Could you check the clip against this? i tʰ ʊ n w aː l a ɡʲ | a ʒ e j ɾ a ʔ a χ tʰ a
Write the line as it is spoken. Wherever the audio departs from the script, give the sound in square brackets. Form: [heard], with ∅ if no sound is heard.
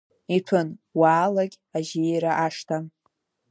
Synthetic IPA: i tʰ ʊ n w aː l a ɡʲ | a ʒ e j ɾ a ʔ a [ʂ] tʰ a